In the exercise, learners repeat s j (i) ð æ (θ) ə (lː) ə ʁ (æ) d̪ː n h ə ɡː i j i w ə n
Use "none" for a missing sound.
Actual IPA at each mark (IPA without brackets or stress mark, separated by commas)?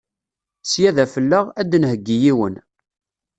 æ, f, lː, æ